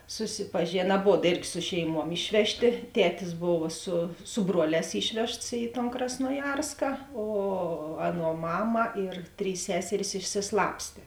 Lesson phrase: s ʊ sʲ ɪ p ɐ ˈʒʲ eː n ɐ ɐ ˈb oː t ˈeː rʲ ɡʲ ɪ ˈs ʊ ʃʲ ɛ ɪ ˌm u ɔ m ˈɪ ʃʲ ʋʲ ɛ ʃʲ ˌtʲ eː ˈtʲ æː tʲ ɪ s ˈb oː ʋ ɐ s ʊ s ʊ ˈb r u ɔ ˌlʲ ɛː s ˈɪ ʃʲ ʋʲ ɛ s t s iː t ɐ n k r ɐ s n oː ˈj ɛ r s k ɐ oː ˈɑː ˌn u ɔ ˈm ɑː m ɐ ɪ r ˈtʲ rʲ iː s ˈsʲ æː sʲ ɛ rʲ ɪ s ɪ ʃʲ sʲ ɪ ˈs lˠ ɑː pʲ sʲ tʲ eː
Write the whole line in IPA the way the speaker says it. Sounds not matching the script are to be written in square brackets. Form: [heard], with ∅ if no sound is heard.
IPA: s ʊ sʲ ɪ p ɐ ˈʒʲ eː n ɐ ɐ ˈb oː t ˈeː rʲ ɡʲ ɪ ˈs ʊ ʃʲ ɛ ɪ ˌm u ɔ m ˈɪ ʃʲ ʋʲ ɛ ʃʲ ˌtʲ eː ˈtʲ æː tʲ ɪ s ˈb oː ʋ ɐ s ʊ s ʊ ˈb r u ɔ ˌlʲ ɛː s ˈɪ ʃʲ ʋʲ ɛ [ʃ] t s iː t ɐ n k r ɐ s n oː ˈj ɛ r s k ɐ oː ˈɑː ˌn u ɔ ˈm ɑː m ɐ ɪ r ˈtʲ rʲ iː s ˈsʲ æː sʲ ɛ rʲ ɪ s ɪ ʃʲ sʲ ɪ ˈs lˠ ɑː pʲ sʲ tʲ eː